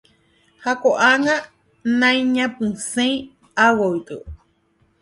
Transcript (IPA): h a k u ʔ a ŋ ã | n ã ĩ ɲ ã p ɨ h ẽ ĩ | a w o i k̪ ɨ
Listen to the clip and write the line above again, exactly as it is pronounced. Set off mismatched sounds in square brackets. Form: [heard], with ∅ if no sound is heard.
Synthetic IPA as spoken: h a k [o] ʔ a ŋ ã | n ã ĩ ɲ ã p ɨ [s] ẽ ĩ | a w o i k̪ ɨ